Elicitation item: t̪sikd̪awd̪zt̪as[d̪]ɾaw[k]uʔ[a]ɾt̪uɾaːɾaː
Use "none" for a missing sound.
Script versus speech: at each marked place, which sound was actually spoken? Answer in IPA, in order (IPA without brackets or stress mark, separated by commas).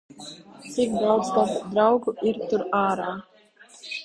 d̪, ɡ, i